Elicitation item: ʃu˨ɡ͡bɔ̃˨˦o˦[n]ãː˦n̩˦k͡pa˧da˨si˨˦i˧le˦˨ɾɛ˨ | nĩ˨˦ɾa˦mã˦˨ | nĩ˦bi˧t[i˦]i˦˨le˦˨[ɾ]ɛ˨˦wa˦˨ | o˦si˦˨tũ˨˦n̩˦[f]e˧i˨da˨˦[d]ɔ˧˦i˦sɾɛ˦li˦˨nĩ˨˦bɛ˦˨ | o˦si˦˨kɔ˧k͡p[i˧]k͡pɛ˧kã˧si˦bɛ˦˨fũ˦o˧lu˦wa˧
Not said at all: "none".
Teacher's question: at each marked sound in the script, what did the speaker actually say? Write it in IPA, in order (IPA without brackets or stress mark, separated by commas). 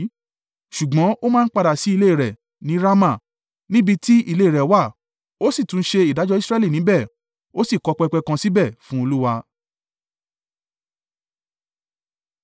m, i˦, ɾ, ʃ, d͡ʒ, ɛ˧